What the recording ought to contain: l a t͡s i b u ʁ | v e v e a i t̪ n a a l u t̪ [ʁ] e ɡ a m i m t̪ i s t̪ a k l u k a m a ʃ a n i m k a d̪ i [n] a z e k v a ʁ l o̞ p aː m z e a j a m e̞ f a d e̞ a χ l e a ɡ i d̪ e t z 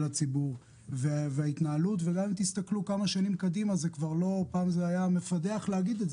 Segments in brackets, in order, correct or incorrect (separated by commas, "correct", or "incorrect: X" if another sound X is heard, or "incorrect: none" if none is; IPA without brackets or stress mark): incorrect: v, incorrect: m